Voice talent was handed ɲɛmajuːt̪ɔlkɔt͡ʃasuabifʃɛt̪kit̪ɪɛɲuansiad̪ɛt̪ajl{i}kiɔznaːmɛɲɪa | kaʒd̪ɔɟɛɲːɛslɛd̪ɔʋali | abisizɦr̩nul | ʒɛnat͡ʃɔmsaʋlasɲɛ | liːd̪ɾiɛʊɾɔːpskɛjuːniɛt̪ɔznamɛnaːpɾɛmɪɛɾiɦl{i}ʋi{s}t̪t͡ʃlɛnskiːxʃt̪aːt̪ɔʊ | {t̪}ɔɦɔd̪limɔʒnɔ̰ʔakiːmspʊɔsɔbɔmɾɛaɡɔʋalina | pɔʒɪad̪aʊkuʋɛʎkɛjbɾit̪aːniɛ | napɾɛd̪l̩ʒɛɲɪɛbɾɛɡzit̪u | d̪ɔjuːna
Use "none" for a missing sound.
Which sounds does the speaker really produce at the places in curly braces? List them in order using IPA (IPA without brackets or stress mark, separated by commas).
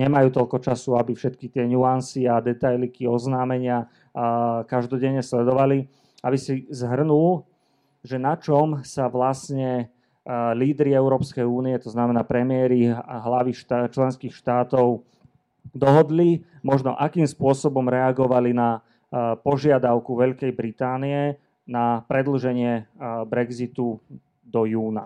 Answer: i, a, ʃ, d̪